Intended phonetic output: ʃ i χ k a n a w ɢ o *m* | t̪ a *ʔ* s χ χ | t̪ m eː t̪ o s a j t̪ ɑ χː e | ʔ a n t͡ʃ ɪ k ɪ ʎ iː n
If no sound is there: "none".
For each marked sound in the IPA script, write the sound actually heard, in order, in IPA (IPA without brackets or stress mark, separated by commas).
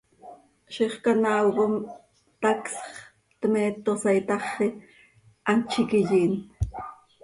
m, k